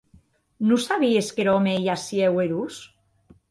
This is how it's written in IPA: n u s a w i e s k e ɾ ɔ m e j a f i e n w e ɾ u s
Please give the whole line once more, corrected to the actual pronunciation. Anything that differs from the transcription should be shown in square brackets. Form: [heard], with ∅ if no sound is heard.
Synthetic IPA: n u s a [β] i e s k e ɾ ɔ m e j a [s] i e [∅] w e ɾ u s